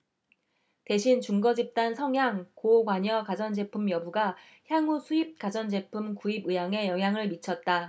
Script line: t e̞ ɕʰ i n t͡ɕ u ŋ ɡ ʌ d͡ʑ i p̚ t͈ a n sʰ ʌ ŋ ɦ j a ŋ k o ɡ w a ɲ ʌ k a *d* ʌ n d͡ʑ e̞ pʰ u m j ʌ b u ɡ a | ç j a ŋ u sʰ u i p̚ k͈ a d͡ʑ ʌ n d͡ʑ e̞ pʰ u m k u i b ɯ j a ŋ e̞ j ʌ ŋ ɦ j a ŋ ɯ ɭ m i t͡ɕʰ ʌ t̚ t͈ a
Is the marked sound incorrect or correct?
incorrect